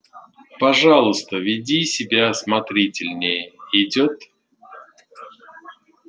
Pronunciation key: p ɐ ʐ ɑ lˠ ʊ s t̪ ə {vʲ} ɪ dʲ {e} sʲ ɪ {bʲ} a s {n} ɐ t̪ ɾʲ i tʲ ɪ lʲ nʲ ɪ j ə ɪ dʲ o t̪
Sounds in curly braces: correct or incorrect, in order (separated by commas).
correct, incorrect, correct, incorrect